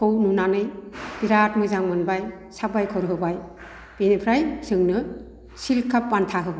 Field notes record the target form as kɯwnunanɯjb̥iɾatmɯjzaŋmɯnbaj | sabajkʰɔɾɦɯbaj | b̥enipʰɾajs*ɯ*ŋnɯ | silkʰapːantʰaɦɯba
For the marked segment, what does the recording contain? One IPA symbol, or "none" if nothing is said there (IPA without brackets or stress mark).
ɯ